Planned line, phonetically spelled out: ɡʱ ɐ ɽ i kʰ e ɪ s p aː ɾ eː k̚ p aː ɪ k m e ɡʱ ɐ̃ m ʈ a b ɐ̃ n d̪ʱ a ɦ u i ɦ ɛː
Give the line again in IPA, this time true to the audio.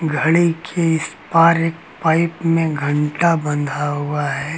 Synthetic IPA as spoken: ɡʱ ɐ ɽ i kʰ e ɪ s p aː ɾ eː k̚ p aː ɪ p m ẽ ɡʱ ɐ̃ ɳ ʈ a b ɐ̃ n d̪ʱ a ɦ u a ɦ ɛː

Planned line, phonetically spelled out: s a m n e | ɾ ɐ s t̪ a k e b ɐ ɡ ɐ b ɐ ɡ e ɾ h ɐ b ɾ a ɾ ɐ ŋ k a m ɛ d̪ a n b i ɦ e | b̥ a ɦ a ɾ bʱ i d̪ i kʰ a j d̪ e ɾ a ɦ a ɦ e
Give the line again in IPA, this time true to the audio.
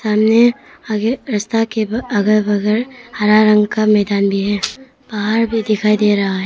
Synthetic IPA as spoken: s a m n e | ɾ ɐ s t̪ a k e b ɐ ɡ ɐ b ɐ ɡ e ɾ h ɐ ɾ a ɾ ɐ ŋ k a m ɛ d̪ a n b i ɦ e | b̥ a ɦ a ɾ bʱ i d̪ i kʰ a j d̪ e ɾ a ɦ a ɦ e

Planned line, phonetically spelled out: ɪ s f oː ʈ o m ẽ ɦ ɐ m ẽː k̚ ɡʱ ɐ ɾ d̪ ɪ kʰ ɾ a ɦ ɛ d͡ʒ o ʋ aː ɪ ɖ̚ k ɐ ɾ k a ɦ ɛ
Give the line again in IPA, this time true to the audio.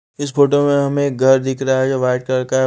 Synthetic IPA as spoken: ɪ s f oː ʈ o m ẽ ɦ ɐ m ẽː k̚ ɡʱ ɐ ɾ d̪ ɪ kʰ ɾ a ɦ ɛ d͡ʒ o ʋ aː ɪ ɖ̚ k ɐ ɾ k a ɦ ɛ

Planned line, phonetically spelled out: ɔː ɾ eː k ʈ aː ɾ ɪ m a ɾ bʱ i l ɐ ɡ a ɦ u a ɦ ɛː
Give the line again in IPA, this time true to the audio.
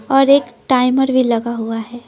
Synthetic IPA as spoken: ɔː ɾ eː k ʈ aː ɪ m ə ɾ bʱ i l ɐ ɡ a ɦ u a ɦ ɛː

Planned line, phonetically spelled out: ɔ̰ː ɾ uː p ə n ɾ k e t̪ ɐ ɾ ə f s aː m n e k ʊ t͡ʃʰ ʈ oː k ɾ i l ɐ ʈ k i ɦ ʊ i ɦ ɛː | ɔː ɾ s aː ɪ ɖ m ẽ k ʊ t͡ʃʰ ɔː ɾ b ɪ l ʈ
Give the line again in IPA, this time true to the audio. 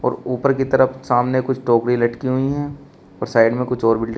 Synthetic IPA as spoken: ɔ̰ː ɾ uː p ə ɾ k i t̪ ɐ ɾ ə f s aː m n e k ʊ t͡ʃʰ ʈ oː k ɾ i l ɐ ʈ k i ɦ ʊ i ɦ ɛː | ɔː ɾ s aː ɪ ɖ m ẽ k ʊ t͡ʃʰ ɔː ɾ b ɪ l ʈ

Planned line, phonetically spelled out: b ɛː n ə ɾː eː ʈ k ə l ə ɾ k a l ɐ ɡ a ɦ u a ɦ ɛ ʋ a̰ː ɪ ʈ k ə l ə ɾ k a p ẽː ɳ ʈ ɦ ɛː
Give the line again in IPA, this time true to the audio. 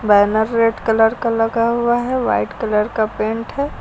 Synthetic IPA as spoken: b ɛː n ə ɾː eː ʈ k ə l ə ɾ k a l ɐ ɡ a ɦ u a ɦ ɛ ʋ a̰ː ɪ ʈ k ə l ə ɾ k a p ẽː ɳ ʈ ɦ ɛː

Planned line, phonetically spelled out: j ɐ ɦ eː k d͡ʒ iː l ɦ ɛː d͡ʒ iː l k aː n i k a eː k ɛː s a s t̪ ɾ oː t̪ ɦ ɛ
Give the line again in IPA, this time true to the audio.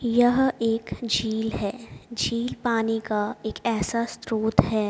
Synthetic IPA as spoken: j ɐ ɦ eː k d͡ʒ iː l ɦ ɛː d͡ʒ iː l p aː n i k a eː k ɛː s a s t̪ ɾ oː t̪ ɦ ɛː

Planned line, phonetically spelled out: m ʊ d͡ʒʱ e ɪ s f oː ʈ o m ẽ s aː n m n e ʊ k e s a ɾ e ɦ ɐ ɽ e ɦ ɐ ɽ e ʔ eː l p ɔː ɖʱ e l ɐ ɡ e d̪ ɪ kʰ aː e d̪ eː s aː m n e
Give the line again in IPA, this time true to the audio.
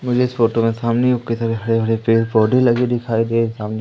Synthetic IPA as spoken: m ʊ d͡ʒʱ e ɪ s f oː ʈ o m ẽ s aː m n e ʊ k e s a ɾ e ɦ ɐ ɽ e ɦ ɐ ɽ e p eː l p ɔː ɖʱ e l ɐ ɡ e d̪ ɪ kʰ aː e d̪ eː s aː m n e

